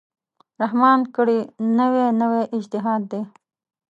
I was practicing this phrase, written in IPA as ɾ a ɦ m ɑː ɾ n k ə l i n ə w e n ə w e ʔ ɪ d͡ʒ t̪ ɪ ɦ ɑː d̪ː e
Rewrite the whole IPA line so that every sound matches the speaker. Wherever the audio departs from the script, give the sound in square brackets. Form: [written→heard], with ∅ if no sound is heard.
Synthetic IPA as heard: ɾ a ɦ m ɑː [ɾ→∅] n k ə [l→ɽ] i n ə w e n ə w e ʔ ɪ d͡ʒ t̪ ɪ ɦ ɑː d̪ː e

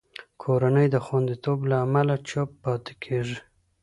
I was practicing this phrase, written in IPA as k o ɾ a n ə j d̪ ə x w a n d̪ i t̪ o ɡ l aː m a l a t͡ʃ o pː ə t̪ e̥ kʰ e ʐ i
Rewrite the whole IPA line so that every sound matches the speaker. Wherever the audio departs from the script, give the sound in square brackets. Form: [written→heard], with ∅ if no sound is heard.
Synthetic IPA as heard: [k→kʰ] o ɾ a n ə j d̪ ə x w a n d̪ i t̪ o [ɡ→b] l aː m a l a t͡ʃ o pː [ə→ɑ] t̪ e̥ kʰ e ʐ i

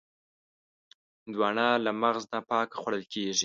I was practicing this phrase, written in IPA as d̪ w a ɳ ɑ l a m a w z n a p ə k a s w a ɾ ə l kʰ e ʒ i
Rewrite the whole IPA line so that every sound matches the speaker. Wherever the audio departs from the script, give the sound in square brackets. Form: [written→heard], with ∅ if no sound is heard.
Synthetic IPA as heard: d̪ w [a→ɑ] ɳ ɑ l a m a [w→ɣ] z n a p [ə→ɑ] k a [s→x] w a [ɾ→ɽ] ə l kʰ e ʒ i

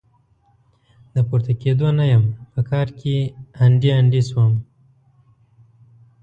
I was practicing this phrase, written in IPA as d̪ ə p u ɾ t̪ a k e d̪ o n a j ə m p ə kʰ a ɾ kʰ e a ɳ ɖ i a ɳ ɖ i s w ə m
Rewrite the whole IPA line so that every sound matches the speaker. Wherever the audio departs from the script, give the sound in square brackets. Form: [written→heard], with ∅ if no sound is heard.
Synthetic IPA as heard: d̪ ə p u ɾ t̪ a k e d̪ o n a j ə m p ə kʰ [a→ɑ] ɾ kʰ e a ɳ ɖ i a ɳ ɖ i s w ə m

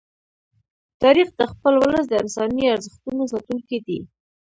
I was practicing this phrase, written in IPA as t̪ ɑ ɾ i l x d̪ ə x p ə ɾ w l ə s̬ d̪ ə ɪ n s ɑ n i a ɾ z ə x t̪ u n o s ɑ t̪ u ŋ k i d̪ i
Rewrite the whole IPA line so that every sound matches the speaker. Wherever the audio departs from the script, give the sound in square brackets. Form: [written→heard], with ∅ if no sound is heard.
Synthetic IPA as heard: t̪ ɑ ɾ i [l→∅] x d̪ ə x p ə [ɾ→l] w l ə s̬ d̪ ə ɪ n s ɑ n i a ɾ z ə x t̪ u n o s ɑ t̪ u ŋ k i d̪ i

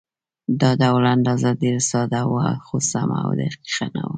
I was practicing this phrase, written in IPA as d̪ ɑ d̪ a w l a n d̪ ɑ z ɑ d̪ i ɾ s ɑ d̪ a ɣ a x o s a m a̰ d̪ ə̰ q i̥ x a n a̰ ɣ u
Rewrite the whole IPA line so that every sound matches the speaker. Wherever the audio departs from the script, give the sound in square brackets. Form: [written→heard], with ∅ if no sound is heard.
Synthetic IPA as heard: d̪ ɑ d̪ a w l a n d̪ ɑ z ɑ d̪ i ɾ s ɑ d̪ a [ɣ→w] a x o s a m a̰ d̪ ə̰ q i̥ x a n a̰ [ɣ→w] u

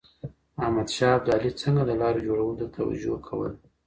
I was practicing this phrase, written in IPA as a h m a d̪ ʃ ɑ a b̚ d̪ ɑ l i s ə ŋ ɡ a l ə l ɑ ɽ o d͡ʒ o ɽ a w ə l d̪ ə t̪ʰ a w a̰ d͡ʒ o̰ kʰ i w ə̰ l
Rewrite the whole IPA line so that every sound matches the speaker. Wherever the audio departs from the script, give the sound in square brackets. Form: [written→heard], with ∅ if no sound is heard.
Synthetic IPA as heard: a h m a d̪ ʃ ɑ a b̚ d̪ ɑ l i [s→t͡s] ə ŋ ɡ a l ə l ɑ [ɽ→ɾ] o d͡ʒ o ɽ a w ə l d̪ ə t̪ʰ a w a̰ d͡ʒ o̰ kʰ [i→a] w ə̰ l

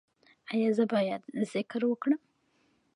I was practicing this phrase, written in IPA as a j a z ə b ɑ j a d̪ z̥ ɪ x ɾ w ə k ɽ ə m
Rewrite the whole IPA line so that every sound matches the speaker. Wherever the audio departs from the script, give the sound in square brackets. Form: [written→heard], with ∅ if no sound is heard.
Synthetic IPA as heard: a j [a→ɑ] z ə b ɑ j a d̪ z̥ ɪ [x→k] ɾ w ə k ɽ ə m

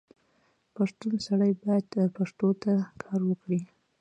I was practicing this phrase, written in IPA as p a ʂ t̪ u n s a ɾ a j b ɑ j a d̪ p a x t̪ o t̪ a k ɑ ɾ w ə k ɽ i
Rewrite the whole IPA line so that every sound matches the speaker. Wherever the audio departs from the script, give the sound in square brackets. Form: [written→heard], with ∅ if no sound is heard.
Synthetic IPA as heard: p a ʂ t̪ u n s a [ɾ→ɽ] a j b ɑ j a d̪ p a [x→ʂ] t̪ o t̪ a [k→kʰ] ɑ ɾ w ə k ɽ i

